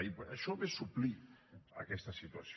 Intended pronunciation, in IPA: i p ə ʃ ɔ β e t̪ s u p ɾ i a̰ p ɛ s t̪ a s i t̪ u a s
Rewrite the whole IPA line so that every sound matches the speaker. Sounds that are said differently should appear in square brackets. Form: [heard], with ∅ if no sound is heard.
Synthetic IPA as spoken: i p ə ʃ ɔ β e [∅] s u p [l] i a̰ [k] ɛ s t̪ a s i t̪ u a s